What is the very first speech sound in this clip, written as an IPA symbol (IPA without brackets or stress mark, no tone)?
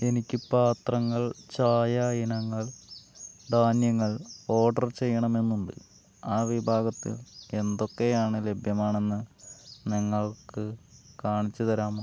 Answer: e̞